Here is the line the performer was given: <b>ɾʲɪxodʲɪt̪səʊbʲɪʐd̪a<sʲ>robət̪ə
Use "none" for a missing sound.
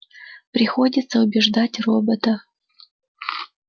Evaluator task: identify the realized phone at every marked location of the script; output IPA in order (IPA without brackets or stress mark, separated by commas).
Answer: p, tʲ